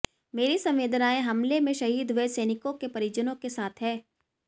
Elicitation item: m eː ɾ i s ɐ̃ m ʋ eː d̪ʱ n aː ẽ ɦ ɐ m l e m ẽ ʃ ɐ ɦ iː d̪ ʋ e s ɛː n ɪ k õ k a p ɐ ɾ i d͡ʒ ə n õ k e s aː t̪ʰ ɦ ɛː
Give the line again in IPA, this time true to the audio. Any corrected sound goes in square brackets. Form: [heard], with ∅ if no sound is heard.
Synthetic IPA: m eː ɾ i s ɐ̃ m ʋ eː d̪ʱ n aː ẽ ɦ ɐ m l e m ẽ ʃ ɐ ɦ iː d̪ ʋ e s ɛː n ɪ k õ k [e] p ɐ ɾ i d͡ʒ ə n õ k e s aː t̪ʰ ɦ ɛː